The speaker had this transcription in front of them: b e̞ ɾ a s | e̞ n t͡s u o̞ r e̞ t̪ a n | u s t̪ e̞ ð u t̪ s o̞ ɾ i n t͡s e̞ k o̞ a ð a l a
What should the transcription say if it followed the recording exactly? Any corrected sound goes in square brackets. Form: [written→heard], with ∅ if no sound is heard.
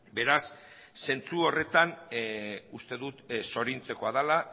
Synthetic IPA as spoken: b e̞ ɾ a [s→sː] | e̞ n t͡s u o̞ r e̞ t̪ a n | u s t̪ e̞ ð u t̪ s o̞ ɾ i n t͡s e̞ k o̞ a ð a l a